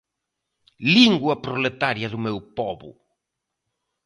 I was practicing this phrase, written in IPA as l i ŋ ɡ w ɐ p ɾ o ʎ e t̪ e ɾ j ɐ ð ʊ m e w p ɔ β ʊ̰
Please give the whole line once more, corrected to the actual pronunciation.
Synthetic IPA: l i ŋ ɡ w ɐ p ɾ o l e t̪ a ɾ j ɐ ð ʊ m e w p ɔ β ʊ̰